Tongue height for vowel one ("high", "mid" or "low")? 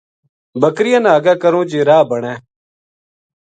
mid